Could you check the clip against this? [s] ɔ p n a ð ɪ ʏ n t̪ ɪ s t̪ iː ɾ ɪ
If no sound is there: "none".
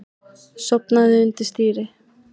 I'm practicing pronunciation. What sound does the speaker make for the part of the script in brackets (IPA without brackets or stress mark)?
s